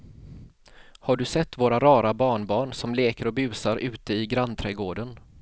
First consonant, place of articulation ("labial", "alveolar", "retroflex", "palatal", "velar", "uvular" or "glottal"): glottal